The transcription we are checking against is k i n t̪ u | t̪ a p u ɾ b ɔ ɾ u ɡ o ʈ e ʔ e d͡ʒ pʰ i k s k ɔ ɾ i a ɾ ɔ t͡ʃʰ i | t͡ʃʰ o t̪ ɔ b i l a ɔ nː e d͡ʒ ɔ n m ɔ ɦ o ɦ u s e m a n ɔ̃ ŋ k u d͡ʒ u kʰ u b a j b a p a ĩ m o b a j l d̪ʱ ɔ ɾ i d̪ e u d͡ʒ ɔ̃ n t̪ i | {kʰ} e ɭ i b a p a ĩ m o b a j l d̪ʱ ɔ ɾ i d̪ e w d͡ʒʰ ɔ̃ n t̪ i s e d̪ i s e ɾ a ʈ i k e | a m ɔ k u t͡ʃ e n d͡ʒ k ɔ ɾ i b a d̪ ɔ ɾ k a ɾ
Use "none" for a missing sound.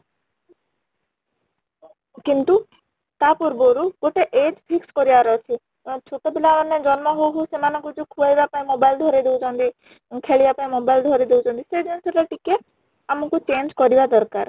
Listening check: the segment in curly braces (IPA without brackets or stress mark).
kʰ